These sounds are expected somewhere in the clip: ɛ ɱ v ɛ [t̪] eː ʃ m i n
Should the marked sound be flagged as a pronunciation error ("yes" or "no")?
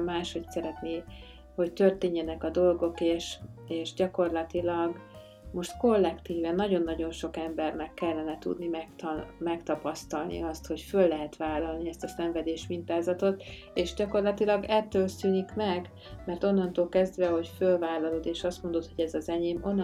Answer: yes